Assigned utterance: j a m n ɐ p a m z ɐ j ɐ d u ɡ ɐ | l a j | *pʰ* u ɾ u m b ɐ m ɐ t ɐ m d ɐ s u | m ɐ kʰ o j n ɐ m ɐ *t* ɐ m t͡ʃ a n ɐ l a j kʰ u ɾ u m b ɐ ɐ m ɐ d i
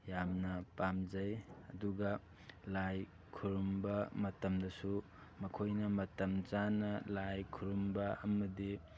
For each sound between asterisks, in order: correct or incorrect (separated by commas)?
incorrect, correct